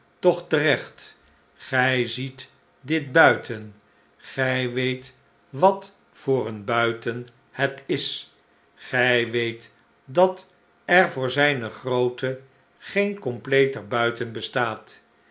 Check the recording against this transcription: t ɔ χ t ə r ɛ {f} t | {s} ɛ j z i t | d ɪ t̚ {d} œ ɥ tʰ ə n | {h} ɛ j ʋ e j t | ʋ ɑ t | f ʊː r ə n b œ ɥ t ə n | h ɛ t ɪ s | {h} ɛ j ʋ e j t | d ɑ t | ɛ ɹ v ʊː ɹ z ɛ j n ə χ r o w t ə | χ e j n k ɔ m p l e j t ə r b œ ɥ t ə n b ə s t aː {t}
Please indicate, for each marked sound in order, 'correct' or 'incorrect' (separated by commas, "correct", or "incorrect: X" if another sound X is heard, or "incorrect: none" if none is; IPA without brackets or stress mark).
incorrect: χ, incorrect: χ, incorrect: b, incorrect: χ, incorrect: χ, correct